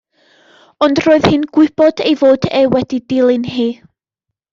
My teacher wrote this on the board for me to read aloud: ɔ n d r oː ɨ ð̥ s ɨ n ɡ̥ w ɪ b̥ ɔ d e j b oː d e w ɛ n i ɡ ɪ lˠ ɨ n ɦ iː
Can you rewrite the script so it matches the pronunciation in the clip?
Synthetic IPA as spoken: ɔ n d r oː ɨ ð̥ h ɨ n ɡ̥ w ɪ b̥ ɔ d e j v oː d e w ɛ d i d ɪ lˠ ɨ n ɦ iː